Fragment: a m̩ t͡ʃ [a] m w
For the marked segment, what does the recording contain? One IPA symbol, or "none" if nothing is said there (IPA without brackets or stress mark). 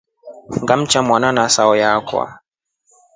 a